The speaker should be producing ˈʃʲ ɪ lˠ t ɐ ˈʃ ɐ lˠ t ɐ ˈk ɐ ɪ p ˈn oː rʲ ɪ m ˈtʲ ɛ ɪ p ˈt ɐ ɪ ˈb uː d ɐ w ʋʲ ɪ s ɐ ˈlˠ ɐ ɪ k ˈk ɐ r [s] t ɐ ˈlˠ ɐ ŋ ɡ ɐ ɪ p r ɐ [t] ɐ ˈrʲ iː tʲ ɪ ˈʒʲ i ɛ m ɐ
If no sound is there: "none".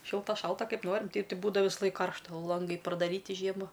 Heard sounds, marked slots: ʃ, d

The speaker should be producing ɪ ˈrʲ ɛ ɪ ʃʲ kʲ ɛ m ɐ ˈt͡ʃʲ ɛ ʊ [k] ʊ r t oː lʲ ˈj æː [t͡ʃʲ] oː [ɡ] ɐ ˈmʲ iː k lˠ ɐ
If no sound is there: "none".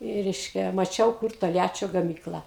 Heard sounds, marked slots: k, t͡ʃʲ, ɡ

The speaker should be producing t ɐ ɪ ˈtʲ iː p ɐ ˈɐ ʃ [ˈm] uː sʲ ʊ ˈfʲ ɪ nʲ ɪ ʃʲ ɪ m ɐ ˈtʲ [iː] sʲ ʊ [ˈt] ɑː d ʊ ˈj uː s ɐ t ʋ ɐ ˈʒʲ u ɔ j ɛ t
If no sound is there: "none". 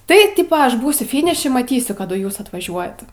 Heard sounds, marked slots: b, iː, k

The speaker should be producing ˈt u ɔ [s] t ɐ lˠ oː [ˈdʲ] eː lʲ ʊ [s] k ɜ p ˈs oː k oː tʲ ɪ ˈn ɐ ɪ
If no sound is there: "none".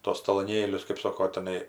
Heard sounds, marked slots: s, nʲ, s

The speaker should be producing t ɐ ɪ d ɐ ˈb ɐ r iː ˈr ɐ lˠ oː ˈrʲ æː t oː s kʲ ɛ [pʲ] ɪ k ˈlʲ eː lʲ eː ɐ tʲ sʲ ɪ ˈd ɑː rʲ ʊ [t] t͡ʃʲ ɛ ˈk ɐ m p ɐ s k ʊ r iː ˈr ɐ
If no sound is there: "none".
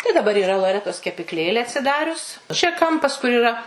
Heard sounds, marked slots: pʲ, s

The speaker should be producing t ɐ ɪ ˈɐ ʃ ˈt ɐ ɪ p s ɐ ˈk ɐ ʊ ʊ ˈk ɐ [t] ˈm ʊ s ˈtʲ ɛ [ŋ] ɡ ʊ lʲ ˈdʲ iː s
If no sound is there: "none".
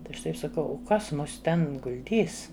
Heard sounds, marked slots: s, n

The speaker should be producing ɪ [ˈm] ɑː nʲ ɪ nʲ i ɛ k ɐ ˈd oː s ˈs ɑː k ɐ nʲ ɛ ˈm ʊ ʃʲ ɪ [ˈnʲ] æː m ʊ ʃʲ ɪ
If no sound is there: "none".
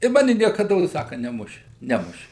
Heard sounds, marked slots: m, nʲ

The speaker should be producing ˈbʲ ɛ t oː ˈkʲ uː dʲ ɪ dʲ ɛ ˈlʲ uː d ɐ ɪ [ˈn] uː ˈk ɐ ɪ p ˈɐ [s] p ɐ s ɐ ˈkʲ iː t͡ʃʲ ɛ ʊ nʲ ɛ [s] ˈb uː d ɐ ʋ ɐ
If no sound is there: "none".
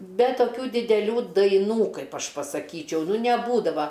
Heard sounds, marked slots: n, ʃ, none

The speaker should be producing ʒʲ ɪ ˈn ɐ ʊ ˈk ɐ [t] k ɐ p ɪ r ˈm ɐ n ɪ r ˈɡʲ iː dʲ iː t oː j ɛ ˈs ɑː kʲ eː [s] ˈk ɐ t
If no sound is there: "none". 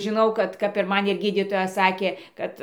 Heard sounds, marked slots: t, none

